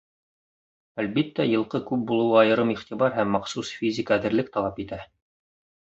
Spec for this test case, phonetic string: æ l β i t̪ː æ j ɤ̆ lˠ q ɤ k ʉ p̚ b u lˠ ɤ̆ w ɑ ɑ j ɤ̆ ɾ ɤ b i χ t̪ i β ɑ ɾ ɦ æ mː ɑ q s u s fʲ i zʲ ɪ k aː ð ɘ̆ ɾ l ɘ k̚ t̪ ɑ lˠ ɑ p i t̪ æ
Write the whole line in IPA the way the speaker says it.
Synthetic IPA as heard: æ l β i t̪ː æ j ɤ̆ lˠ q ɤ k ʉ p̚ b u lˠ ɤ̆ w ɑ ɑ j ɤ̆ ɾ ɤ m i χ t̪ i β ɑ ɾ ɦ æ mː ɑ q s u s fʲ i zʲ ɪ k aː ð ɘ̆ ɾ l ɘ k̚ t̪ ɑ lˠ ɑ p i t̪ æ